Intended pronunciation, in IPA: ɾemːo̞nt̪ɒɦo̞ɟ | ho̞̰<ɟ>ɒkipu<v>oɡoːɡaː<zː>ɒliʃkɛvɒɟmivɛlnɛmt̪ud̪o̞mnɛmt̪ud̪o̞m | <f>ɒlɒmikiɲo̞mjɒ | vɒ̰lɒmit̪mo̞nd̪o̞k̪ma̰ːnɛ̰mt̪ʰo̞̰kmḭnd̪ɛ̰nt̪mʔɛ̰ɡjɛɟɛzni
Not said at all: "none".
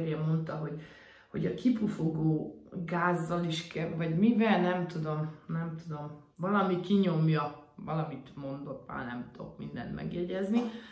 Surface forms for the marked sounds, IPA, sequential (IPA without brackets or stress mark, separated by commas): ɟ, f, zː, v